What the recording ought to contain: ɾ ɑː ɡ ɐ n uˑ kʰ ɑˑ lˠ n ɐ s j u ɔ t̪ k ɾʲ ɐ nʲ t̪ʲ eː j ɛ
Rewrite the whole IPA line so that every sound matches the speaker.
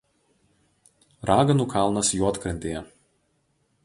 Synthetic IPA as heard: ɾ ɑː ɡ ɐ n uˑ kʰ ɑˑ lˠ n ɐ s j u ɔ t̪ k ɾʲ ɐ nʲ t̪ʲ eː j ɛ